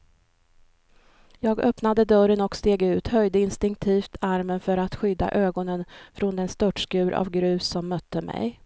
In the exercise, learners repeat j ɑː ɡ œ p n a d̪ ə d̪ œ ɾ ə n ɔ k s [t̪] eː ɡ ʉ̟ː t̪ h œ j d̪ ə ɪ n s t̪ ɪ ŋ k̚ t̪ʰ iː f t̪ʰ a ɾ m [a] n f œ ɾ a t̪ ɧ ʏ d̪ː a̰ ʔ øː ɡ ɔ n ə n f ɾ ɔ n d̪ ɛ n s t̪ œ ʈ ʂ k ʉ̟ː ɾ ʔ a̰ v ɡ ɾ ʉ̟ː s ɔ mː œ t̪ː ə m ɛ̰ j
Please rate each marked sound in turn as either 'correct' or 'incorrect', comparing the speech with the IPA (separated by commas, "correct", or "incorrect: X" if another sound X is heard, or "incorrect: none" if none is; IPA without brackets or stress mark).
correct, incorrect: ə